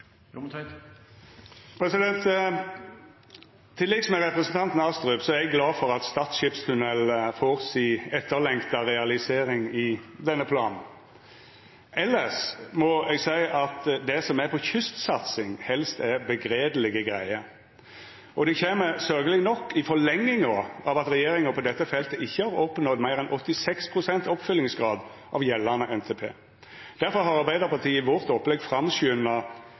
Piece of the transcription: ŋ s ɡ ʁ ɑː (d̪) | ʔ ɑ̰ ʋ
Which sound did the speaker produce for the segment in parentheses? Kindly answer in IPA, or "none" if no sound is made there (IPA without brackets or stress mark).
d̪